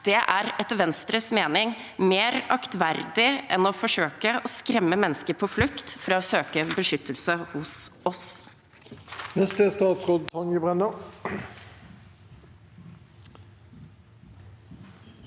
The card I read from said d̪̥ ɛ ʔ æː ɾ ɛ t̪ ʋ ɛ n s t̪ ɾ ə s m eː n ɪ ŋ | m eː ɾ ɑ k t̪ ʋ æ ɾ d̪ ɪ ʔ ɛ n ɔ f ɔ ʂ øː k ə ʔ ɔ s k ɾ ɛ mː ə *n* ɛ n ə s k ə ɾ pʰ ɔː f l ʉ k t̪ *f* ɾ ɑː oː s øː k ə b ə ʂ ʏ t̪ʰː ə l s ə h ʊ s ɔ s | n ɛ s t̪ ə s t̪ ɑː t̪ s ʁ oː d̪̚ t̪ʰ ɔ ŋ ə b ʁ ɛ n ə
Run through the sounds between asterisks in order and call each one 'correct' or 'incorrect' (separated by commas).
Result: incorrect, correct